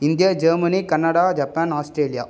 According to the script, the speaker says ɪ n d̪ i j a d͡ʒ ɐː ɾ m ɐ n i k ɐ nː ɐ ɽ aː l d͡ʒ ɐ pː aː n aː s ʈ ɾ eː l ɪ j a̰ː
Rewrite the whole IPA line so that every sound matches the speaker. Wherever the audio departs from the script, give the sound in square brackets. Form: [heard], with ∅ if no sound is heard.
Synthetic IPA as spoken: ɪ n d̪ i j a d͡ʒ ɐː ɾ m ɐ n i k ɐ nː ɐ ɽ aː [∅] d͡ʒ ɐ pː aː n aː s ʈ ɾ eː l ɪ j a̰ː